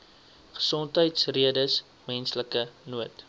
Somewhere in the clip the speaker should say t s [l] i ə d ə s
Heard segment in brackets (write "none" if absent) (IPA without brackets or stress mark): r